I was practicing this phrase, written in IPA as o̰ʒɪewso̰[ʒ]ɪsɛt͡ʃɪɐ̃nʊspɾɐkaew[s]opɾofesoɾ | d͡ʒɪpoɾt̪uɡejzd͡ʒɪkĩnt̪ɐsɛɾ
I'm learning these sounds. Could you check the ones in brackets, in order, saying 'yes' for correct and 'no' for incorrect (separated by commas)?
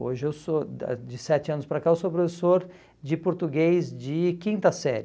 no, yes